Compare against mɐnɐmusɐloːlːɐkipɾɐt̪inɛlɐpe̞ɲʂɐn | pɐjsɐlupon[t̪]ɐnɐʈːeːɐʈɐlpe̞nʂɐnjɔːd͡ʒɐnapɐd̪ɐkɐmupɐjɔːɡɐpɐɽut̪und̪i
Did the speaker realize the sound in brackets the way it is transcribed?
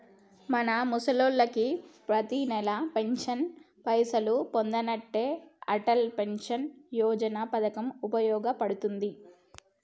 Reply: no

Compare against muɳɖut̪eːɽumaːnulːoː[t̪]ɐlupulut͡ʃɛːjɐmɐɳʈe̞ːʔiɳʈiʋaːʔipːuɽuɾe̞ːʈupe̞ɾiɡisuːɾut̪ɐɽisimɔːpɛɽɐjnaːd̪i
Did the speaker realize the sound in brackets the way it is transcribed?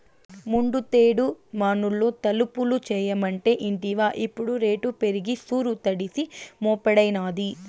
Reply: yes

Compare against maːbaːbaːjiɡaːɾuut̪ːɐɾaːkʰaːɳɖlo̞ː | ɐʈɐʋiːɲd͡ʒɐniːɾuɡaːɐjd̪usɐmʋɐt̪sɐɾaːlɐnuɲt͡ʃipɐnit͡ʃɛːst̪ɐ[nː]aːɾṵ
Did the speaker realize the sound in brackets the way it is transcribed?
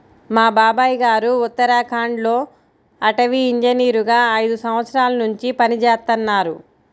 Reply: yes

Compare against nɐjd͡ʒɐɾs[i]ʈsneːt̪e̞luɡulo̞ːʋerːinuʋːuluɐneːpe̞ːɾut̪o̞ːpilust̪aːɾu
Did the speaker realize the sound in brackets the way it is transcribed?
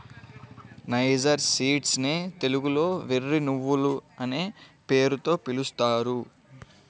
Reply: no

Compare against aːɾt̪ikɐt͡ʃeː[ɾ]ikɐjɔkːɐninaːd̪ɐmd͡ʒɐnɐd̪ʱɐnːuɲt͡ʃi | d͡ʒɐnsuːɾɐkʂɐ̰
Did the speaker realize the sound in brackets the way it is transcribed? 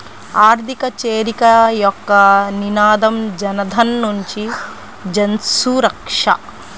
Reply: yes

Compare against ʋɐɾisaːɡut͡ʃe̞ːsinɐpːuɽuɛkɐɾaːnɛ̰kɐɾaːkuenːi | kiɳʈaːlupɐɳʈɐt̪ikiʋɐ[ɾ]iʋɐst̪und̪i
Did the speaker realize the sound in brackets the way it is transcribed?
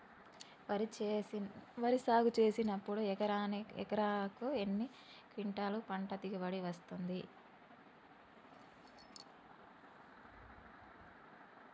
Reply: no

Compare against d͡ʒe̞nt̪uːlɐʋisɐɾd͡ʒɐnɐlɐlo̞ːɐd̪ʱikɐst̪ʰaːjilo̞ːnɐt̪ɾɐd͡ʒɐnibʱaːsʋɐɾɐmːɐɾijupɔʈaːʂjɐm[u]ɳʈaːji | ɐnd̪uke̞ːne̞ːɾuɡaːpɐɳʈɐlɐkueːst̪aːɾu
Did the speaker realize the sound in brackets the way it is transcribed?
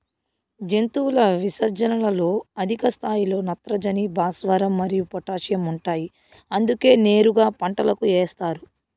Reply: yes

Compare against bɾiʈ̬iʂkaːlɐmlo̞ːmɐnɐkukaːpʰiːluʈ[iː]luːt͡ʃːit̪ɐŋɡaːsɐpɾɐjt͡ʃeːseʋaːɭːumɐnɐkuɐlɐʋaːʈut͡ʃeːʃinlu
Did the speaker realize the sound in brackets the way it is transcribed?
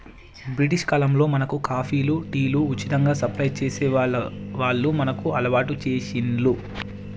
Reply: yes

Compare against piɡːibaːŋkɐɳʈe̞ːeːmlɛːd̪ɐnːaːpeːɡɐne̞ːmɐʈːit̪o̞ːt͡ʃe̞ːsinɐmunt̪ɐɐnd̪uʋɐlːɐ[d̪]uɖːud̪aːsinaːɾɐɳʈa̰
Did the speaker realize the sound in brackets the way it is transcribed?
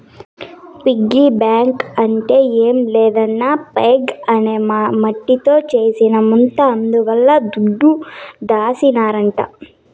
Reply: yes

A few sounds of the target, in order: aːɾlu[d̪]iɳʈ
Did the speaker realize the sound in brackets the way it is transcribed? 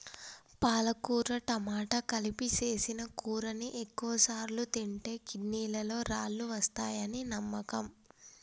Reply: no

